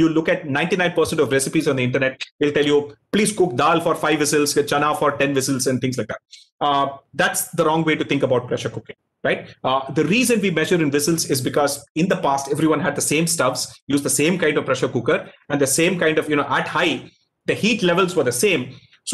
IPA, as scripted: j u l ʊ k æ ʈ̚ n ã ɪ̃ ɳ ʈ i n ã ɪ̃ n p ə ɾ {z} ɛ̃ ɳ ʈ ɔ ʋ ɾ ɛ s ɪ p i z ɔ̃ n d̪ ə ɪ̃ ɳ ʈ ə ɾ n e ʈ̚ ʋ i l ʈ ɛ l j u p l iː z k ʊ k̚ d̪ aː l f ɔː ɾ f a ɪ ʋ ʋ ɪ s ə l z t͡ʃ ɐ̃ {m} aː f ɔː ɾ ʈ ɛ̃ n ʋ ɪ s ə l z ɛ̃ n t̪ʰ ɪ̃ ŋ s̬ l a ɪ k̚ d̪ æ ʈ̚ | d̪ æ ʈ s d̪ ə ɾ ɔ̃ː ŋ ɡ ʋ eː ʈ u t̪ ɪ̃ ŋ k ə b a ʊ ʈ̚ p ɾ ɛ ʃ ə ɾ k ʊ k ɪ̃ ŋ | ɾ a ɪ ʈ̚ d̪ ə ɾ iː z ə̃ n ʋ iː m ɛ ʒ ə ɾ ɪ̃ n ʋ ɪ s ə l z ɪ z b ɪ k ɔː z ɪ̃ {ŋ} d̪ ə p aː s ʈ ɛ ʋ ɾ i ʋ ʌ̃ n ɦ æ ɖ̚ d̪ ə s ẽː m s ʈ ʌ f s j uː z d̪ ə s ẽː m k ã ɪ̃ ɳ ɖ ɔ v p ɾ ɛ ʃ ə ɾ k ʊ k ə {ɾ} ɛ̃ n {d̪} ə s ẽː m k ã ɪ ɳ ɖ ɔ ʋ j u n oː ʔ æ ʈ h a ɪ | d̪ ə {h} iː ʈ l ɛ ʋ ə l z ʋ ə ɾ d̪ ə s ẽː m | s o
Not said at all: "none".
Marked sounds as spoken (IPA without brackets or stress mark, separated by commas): s, n, n, ɾ, d̪, h